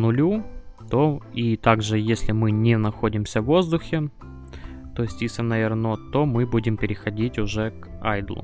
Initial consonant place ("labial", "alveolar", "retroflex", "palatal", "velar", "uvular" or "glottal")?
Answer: alveolar